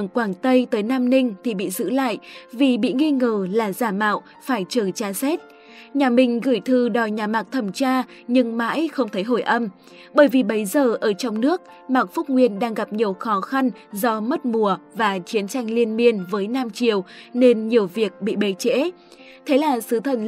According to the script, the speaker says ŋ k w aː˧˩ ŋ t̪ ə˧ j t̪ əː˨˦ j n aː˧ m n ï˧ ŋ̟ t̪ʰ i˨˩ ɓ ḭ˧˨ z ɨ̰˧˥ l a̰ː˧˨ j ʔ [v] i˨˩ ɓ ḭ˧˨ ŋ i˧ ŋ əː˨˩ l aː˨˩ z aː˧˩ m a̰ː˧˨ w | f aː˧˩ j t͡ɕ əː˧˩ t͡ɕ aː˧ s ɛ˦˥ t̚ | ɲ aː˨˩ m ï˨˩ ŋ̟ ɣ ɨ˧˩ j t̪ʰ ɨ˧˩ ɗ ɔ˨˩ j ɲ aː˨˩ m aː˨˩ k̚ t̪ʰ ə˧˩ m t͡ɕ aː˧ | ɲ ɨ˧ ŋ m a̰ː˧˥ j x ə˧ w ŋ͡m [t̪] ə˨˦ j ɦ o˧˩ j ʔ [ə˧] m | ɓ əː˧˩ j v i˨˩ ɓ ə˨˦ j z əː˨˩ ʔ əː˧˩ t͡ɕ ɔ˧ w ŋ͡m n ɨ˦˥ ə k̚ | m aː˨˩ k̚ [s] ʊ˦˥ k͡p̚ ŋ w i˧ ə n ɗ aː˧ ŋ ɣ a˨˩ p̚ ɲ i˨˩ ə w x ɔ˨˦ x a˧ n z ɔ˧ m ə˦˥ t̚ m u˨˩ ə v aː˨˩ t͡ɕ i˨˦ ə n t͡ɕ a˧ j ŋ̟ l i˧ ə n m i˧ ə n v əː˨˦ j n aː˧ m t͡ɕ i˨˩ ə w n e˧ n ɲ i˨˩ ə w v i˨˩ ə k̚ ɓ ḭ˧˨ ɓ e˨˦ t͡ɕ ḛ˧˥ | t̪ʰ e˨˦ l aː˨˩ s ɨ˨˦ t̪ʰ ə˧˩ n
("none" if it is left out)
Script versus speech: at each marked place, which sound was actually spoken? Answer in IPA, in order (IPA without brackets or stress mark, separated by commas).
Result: v, t̪ʰ, ə˧, f